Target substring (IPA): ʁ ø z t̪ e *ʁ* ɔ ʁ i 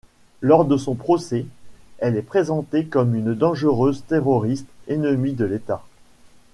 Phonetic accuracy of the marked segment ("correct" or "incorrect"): correct